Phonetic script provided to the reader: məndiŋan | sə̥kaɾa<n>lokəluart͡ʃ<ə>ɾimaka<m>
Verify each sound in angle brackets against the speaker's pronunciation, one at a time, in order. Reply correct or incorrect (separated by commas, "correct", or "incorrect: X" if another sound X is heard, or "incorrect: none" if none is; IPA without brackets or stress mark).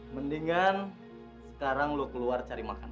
incorrect: ŋ, incorrect: a, incorrect: n